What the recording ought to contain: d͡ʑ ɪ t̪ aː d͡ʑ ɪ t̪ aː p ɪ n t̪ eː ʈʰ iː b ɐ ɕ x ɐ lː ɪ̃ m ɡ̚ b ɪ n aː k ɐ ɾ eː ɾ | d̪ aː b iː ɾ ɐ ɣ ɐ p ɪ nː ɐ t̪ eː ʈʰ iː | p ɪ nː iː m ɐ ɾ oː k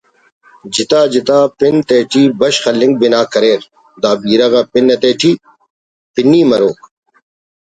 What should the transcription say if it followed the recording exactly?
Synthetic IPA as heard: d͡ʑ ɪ t̪ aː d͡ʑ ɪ t̪ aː p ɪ n t̪ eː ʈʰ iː b ɐ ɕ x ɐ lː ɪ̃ ŋ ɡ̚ b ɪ n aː k ɐ ɾ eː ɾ | d̪ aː b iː ɾ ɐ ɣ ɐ p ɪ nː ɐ t̪ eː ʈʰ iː | p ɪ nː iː m ɐ ɾ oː k